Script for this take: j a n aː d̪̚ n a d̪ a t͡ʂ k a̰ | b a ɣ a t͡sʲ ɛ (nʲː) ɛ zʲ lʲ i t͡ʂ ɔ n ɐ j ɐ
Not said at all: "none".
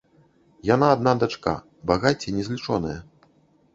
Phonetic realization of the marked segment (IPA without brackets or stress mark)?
nʲ